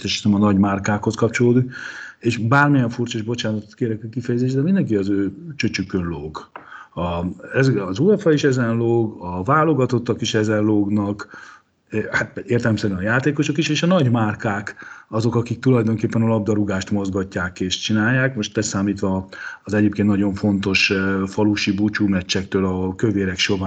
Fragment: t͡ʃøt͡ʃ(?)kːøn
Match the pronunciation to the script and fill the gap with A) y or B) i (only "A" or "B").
A